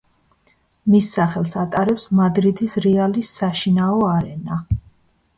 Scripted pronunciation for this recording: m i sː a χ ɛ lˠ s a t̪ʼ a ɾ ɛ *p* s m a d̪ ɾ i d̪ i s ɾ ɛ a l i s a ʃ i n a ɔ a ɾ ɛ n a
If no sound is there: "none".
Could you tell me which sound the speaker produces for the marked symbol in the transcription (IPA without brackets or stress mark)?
p